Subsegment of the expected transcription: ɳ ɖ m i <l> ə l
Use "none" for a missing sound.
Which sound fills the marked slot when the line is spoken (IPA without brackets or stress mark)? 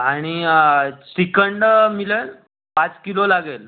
l